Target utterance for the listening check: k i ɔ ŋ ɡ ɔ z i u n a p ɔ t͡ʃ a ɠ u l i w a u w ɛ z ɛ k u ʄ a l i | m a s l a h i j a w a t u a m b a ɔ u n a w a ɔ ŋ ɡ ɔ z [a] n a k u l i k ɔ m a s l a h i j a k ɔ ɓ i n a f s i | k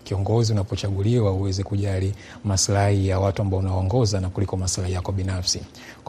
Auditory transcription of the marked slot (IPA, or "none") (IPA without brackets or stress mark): a